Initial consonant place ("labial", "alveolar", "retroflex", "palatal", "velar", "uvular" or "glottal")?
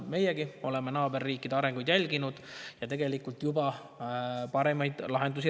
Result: labial